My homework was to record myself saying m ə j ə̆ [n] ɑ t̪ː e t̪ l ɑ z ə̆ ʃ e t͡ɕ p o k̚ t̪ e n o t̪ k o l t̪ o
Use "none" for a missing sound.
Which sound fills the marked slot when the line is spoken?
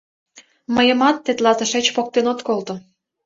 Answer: m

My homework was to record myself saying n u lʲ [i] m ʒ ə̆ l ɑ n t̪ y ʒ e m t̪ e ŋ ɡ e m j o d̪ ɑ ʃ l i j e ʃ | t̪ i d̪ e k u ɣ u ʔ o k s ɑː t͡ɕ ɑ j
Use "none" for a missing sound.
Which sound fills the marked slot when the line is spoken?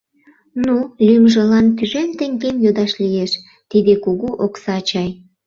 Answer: y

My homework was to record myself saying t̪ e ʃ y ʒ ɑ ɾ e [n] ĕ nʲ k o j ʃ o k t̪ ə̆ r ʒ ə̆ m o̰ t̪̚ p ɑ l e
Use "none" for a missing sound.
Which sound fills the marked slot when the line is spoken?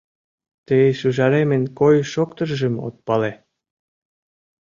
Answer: m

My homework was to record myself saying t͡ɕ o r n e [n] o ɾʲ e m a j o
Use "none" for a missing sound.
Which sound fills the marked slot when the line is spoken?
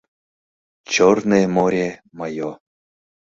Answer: m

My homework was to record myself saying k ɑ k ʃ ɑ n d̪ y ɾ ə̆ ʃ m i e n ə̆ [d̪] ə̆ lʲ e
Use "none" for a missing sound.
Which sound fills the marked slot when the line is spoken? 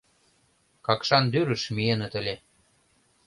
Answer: t̪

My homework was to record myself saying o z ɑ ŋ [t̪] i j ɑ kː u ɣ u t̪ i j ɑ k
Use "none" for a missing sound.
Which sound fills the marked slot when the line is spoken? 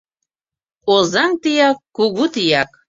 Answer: t̪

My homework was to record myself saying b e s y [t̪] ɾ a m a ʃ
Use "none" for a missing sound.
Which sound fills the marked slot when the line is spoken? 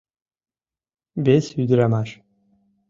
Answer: d̪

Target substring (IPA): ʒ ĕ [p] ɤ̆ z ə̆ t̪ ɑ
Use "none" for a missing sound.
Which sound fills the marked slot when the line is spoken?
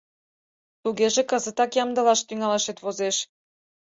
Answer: k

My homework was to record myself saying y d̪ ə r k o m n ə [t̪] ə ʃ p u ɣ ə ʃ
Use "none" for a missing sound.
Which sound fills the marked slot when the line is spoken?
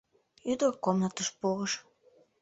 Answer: t̪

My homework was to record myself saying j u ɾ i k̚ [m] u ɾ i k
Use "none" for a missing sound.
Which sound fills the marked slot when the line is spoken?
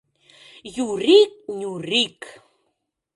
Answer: ɲ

